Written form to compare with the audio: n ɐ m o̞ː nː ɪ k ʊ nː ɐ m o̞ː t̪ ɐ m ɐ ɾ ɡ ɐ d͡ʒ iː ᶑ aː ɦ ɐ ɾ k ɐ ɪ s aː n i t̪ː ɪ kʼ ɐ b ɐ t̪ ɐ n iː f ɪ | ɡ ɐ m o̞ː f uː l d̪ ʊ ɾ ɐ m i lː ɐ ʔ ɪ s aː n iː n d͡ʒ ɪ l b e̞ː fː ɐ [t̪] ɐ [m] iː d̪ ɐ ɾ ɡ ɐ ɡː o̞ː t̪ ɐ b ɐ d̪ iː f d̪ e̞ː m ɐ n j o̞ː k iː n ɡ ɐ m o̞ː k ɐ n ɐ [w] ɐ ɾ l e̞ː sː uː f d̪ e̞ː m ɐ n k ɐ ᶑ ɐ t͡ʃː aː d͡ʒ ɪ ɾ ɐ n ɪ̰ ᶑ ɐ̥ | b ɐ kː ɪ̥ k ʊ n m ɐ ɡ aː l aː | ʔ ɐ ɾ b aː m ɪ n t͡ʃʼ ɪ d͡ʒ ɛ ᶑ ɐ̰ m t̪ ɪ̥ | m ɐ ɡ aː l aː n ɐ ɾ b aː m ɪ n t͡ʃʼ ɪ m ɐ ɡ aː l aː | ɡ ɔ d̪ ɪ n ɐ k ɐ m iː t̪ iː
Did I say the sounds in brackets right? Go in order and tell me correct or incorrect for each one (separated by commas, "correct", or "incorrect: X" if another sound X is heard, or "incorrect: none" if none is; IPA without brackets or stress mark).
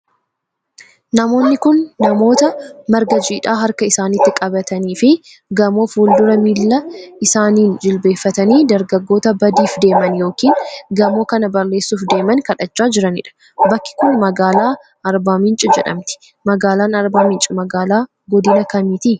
correct, incorrect: n, incorrect: b